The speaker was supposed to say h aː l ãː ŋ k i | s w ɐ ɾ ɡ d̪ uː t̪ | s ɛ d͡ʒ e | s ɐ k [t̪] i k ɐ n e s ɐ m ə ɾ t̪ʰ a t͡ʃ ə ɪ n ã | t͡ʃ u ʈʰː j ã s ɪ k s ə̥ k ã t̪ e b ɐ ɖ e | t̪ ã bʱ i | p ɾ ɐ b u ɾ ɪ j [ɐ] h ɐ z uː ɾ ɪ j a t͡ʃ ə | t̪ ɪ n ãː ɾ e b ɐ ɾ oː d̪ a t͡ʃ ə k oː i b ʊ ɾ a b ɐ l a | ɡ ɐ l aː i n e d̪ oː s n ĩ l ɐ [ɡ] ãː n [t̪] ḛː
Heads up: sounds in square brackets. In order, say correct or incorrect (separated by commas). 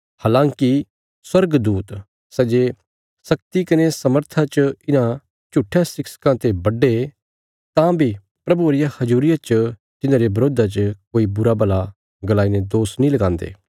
correct, incorrect, correct, incorrect